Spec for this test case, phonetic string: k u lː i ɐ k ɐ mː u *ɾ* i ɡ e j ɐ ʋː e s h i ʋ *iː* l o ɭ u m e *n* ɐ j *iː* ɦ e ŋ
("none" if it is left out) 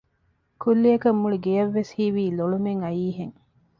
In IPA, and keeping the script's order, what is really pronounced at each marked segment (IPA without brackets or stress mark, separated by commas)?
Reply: ɭ, iː, ŋ, iː